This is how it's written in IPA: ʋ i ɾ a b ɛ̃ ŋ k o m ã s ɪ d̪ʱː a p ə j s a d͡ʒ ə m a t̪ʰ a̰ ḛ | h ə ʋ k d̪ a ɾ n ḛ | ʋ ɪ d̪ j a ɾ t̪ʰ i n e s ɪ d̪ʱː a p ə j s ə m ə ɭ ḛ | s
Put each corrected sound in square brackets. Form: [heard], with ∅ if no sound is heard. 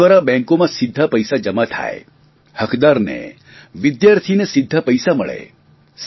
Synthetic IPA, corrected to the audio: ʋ [a] ɾ a b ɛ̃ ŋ k o m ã s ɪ d̪ʱː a p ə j s a d͡ʒ ə m a t̪ʰ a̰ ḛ | h ə [∅] k d̪ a ɾ n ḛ | ʋ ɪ d̪ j a ɾ t̪ʰ i n e s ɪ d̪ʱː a p ə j s [a] m ə ɭ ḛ | s